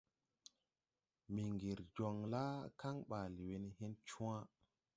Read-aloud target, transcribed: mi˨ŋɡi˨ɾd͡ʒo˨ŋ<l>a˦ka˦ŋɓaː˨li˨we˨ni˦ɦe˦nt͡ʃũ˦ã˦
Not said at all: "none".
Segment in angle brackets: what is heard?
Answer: l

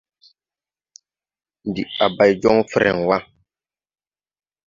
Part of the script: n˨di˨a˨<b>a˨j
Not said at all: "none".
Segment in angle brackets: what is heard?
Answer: b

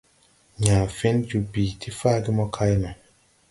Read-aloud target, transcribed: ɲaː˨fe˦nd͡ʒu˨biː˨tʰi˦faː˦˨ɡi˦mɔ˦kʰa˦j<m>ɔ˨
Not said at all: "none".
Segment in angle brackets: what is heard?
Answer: n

